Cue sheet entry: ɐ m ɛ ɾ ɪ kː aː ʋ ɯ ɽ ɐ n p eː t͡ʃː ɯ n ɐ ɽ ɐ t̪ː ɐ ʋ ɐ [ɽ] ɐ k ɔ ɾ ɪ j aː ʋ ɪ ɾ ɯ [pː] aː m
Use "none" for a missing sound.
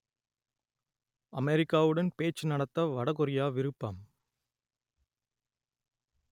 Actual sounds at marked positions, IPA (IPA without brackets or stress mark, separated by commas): ɽ, pː